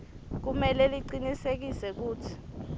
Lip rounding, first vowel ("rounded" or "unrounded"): rounded